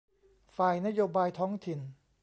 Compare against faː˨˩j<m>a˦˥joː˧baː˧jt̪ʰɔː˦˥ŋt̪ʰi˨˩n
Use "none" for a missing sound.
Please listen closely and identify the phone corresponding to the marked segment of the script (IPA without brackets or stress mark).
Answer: n